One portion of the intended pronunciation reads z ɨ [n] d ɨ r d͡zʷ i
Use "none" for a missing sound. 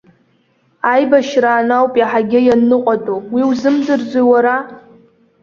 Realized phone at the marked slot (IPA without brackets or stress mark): m